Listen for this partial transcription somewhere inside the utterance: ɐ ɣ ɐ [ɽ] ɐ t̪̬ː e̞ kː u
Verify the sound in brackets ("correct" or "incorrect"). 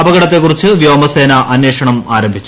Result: correct